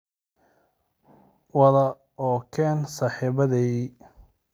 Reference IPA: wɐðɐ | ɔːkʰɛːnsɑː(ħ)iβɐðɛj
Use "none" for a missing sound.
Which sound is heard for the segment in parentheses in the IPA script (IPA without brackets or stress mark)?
ħ